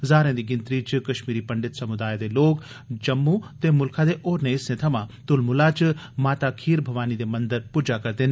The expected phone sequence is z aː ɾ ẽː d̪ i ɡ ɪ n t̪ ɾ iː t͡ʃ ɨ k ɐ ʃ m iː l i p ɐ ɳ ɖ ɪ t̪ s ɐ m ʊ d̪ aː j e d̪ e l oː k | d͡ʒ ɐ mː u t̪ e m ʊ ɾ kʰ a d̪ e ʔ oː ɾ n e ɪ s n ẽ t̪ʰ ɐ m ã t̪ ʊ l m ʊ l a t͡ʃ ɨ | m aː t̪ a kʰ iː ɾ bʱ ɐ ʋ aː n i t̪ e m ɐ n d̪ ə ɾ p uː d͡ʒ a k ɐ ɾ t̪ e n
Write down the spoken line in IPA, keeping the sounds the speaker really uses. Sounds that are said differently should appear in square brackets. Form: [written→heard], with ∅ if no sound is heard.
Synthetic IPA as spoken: z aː ɾ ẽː d̪ i ɡ ɪ n t̪ ɾ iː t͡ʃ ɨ k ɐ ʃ m iː [l→ɾ] i p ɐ ɳ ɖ ɪ t̪ s ɐ m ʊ d̪ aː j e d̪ e l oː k | d͡ʒ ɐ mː u t̪ e m ʊ [ɾ→l] kʰ a d̪ e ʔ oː ɾ n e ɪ s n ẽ t̪ʰ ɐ m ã t̪ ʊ l m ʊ l a t͡ʃ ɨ | m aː t̪ a kʰ iː ɾ bʱ ɐ ʋ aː n i [t̪→d̪] e m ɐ n d̪ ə ɾ p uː d͡ʒ a k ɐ ɾ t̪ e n